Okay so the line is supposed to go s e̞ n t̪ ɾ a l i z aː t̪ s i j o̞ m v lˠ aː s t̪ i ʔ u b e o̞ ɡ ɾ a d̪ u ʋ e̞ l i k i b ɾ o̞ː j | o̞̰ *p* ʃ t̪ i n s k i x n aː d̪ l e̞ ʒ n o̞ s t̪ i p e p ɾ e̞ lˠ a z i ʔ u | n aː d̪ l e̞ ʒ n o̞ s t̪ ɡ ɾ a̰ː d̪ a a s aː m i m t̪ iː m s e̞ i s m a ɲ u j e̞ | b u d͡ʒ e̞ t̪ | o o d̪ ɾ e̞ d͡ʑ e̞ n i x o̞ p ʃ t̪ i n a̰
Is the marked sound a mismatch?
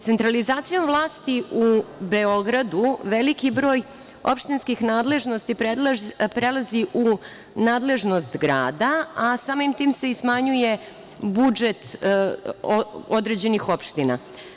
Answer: no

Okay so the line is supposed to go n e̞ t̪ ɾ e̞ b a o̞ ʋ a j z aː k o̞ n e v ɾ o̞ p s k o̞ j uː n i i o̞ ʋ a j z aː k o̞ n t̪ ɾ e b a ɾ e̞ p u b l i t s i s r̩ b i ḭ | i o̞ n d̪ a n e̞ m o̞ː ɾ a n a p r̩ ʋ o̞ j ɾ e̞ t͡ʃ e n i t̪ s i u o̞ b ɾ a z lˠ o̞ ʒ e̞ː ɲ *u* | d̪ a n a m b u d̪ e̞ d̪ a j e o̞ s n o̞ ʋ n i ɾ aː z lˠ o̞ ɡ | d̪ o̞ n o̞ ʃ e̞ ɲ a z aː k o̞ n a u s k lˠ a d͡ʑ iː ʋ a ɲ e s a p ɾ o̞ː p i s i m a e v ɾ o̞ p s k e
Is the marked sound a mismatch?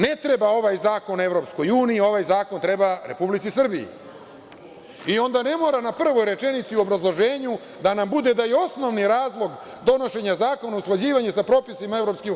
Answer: no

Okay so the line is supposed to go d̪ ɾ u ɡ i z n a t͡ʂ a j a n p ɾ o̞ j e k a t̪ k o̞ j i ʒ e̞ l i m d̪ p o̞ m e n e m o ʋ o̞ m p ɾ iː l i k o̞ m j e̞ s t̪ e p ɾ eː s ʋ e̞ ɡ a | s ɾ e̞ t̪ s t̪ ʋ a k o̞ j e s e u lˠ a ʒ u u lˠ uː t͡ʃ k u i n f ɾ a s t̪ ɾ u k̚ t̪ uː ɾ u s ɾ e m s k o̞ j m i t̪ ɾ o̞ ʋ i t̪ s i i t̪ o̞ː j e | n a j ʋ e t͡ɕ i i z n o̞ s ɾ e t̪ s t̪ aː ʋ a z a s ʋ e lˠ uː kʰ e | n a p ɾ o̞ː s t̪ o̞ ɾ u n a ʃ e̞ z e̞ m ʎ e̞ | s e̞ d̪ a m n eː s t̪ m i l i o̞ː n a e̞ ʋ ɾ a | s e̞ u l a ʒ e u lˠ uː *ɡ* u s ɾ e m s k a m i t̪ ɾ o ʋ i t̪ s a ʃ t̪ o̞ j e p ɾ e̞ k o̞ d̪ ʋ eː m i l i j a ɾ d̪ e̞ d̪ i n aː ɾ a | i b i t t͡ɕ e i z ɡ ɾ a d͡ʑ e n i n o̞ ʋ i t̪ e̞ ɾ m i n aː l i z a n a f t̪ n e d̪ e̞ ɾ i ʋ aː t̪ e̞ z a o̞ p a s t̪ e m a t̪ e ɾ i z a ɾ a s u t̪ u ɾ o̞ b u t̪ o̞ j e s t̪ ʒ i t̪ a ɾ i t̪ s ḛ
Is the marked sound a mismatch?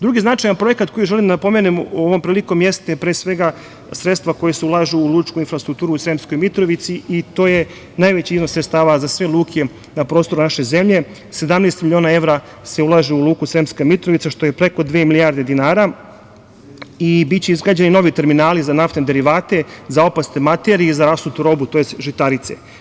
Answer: yes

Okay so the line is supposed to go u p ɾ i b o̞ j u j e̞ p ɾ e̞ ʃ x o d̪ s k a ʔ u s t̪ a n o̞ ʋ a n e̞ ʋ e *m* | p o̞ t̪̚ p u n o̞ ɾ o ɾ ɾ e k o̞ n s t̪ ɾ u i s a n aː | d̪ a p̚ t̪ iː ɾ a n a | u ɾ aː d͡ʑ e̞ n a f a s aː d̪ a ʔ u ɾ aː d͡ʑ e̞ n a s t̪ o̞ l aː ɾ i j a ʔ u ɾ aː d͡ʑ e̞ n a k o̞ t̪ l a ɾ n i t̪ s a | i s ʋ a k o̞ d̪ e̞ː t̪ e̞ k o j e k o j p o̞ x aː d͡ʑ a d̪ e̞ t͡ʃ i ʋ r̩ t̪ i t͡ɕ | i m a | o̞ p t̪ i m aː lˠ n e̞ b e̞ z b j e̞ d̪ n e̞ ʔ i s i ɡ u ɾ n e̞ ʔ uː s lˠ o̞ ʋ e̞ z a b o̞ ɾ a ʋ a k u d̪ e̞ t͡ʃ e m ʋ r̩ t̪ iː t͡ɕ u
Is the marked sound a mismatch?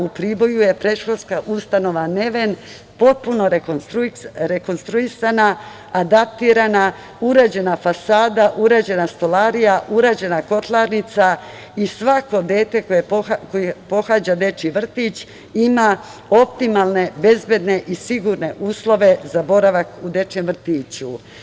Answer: yes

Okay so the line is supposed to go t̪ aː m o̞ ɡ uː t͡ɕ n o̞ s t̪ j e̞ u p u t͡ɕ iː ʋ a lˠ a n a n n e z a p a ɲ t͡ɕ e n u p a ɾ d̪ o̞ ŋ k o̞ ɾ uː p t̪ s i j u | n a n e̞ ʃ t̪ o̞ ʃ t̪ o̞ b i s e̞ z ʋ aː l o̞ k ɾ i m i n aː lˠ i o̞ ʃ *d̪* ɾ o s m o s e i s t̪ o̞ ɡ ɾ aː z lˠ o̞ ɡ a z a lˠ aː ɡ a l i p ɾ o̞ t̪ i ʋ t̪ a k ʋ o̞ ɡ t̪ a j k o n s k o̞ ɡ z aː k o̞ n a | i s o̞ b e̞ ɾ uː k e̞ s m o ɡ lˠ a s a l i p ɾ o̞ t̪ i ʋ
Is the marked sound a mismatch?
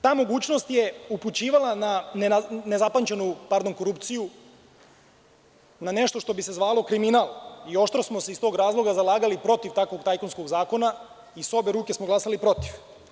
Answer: yes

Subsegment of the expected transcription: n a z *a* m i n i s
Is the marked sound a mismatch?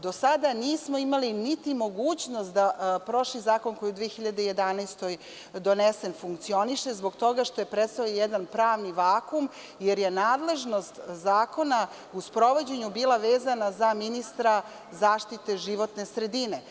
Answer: no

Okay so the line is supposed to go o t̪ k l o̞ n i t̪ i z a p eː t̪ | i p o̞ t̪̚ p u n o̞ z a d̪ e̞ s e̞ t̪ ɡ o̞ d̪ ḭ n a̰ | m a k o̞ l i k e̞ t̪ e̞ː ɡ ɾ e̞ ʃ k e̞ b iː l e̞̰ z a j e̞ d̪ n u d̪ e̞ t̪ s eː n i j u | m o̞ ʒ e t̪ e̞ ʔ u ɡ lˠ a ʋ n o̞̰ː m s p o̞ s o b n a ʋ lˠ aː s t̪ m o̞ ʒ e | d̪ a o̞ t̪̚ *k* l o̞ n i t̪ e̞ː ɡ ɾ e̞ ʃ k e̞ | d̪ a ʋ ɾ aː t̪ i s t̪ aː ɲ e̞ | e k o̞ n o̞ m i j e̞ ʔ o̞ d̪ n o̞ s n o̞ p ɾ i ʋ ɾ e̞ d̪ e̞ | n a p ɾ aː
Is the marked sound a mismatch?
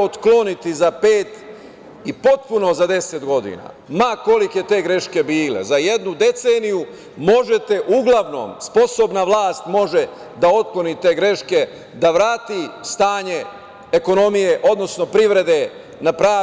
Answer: no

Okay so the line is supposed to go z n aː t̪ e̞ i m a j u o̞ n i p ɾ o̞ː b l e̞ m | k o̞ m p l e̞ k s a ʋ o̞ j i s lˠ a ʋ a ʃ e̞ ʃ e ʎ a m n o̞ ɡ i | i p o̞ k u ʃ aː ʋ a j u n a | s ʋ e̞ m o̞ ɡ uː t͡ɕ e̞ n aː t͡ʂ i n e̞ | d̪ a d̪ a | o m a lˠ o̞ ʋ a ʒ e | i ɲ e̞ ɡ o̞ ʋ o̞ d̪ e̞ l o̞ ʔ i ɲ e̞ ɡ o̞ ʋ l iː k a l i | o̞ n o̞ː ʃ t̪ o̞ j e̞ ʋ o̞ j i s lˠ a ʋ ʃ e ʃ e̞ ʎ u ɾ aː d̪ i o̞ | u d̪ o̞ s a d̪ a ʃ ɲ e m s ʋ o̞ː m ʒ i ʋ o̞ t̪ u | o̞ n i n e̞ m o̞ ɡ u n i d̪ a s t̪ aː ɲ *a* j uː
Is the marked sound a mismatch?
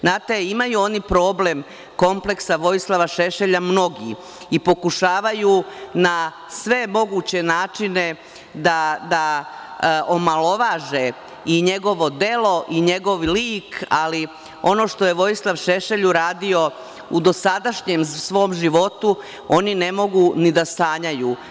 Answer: no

